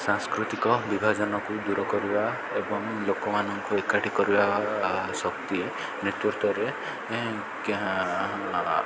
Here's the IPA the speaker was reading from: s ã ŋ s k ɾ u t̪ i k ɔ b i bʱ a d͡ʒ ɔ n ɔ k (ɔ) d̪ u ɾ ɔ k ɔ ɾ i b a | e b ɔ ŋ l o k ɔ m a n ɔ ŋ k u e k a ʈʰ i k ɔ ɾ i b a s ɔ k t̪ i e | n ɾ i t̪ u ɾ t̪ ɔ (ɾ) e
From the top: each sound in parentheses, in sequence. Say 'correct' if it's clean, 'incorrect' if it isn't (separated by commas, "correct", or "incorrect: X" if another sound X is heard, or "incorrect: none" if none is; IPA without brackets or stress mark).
incorrect: u, correct